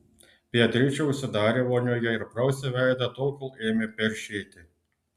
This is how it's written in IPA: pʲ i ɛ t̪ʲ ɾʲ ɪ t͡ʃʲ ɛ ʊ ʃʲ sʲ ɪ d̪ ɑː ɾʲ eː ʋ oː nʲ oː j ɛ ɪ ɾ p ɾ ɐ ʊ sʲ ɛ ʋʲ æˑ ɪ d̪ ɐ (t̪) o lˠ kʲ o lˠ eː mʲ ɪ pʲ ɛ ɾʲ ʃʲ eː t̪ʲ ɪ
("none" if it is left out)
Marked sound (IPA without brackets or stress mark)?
t̪